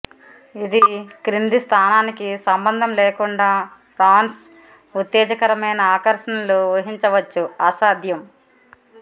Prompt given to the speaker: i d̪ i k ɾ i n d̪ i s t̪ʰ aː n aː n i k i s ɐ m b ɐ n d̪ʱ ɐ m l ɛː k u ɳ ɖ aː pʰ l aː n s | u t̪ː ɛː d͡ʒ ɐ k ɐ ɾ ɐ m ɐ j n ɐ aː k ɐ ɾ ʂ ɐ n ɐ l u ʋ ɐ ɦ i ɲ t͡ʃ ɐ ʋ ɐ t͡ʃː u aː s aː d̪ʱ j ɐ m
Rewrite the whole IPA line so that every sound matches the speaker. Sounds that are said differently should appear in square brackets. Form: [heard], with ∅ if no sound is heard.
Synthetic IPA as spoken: i d̪ i k ɾ i n d̪ i s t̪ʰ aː n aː n i k i s ɐ m b ɐ n d̪ʱ ɐ m l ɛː k u ɳ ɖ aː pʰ [ɾ] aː n s | u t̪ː ɛː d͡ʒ ɐ k ɐ ɾ ɐ m ɐ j n ɐ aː k ɐ ɾ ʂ ɐ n ɐ l u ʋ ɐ ɦ i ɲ t͡ʃ ɐ ʋ ɐ t͡ʃː u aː s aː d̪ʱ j ɐ m